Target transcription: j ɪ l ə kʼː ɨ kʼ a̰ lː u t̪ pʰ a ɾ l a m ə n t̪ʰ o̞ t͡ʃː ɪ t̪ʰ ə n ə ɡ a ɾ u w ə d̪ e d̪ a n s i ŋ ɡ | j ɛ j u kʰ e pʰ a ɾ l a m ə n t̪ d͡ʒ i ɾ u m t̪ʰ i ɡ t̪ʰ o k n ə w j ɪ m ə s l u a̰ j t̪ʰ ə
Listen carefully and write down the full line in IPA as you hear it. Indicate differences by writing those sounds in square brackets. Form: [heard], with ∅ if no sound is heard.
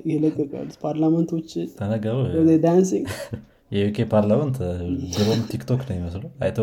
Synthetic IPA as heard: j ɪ l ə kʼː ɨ kʼ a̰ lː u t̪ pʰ a ɾ l a m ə n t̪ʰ o̞ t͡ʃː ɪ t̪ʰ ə n ə ɡ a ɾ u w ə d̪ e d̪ a n s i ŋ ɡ | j ɛ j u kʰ e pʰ a ɾ l a m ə n t̪ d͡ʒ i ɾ [o] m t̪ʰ i [k] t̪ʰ o k n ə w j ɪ m ə s l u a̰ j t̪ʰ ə